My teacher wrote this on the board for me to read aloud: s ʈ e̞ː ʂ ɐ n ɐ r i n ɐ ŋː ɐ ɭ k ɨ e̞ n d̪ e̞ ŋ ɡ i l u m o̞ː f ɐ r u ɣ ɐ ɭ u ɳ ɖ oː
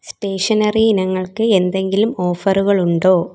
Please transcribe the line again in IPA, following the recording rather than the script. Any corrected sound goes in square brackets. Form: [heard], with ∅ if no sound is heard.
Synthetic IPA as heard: s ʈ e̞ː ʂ ɐ n ɐ r i n ɐ ŋː ɐ ɭ k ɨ e̞ n d̪ e̞ ŋ ɡ i l u m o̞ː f ɐ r u ɣ ɐ ɭ u ɳ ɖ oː